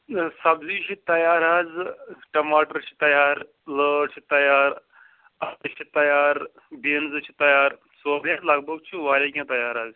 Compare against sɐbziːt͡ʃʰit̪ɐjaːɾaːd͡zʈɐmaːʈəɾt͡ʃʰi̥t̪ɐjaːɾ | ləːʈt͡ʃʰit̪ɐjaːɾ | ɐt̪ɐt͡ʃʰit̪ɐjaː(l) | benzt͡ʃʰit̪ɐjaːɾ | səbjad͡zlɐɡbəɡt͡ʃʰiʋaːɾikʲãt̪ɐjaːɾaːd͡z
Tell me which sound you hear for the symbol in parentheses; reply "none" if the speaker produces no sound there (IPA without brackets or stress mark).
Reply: ɾ